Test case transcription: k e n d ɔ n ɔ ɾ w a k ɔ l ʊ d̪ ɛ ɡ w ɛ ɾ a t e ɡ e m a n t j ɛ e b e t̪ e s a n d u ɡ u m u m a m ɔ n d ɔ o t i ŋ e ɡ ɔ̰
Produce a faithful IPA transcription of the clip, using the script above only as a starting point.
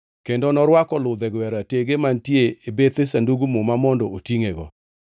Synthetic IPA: k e n d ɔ n ɔ ɾ w a k ɔ l ʊ d̪ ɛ ɡ w ɛ ɾ a t e ɡ e m a n t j e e b e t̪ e s a n d u ɡ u m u m a m ɔ n d ɔ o t i ŋ e ɡ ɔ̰